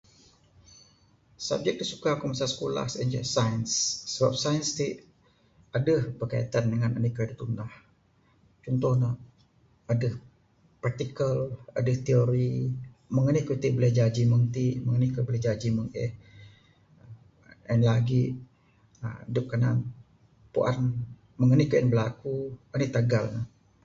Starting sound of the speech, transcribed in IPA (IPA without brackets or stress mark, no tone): s